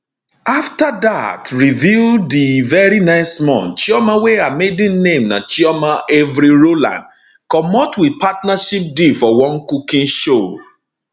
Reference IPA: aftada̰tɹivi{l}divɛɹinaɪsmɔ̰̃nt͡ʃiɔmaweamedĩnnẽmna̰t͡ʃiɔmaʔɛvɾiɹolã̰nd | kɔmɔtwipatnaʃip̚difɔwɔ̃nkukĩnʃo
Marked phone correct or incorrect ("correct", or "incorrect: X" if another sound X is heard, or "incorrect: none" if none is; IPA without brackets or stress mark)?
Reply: correct